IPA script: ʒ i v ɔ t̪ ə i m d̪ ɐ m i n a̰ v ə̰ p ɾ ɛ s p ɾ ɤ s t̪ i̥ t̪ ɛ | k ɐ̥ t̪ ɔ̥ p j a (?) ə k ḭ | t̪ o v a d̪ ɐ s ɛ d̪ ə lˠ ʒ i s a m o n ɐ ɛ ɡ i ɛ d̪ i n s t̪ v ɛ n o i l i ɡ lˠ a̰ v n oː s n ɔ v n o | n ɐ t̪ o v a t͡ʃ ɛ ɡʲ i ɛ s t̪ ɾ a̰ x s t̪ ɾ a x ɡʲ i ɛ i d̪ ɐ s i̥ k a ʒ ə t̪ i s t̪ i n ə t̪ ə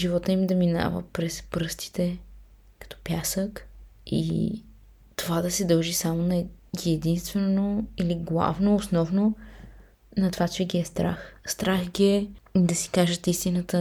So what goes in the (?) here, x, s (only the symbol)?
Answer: s